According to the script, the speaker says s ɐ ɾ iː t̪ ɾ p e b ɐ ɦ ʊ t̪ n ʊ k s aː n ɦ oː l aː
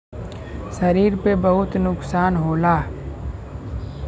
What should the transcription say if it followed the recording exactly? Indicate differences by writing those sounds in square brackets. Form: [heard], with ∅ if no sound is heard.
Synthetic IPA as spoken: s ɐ ɾ iː [∅] ɾ p e b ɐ ɦ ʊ t̪ n ʊ k s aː n ɦ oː l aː